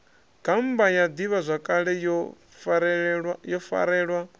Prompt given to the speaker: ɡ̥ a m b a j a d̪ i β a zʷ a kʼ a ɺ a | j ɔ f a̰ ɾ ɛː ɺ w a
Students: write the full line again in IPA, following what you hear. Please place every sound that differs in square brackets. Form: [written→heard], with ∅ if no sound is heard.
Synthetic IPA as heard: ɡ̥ a m b a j a d̪ i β a zʷ a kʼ a ɺ [a→ɛ] | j ɔ f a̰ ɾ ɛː ɺ w a